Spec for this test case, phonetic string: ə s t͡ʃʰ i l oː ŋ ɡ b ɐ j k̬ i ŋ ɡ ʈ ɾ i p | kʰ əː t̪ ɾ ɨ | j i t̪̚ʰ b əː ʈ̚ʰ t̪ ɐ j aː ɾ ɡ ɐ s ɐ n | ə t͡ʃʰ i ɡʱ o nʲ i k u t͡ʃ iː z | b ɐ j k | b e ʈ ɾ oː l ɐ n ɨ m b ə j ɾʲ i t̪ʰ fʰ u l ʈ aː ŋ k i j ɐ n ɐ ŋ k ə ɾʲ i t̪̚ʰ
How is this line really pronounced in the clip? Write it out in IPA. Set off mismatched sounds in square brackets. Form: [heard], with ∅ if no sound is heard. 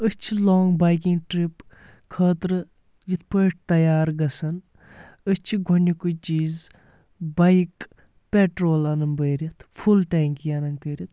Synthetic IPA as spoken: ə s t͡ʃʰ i l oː ŋ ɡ b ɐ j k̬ i ŋ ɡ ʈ ɾ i p | kʰ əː t̪ ɾ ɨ | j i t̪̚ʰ [p] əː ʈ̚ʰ t̪ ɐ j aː ɾ ɡ ɐ s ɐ n | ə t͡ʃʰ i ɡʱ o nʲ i k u t͡ʃ iː z | b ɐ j k | [p] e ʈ ɾ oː l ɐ n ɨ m b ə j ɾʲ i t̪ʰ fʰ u l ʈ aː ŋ k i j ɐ n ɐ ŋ k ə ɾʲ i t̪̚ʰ